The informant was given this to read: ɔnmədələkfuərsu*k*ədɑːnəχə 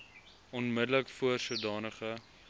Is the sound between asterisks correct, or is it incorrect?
incorrect